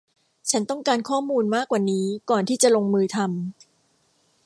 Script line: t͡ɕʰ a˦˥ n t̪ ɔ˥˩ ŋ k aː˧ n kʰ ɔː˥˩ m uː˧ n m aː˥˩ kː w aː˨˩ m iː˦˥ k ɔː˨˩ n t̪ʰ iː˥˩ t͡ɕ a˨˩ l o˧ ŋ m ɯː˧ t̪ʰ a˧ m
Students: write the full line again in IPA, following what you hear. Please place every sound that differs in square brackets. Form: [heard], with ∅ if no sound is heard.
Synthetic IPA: t͡ɕʰ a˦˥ n t̪ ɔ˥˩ ŋ k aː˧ n kʰ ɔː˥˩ m uː˧ n m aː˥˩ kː w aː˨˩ [n] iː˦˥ k ɔː˨˩ n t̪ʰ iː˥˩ t͡ɕ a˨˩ l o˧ ŋ m ɯː˧ t̪ʰ a˧ m